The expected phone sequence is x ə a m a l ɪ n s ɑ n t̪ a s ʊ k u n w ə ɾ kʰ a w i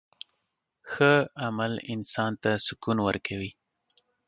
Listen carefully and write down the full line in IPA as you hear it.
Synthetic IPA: x ə a m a l ɪ n s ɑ n t̪ a s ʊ k u n w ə ɾ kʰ a w i